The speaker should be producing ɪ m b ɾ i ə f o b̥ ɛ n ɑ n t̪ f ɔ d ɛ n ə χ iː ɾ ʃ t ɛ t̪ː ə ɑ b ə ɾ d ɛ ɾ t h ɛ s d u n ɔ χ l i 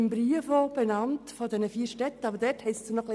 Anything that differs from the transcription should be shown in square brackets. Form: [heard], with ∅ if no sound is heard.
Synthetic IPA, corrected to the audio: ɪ m b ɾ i ə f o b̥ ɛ n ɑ n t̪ f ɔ d ɛ n ə [f] iː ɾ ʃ t ɛ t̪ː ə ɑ b ə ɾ d ɛ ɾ t h ɛ s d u n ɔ χ l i